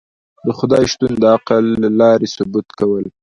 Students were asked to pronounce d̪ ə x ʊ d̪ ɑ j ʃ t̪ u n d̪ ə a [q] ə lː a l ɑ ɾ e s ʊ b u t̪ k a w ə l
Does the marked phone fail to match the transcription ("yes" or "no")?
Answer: no